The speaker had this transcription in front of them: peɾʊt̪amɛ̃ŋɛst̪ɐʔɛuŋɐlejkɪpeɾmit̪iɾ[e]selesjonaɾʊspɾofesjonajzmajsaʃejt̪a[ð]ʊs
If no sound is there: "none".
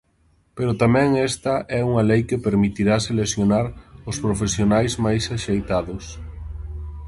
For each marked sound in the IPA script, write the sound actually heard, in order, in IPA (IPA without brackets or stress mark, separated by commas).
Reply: a, ð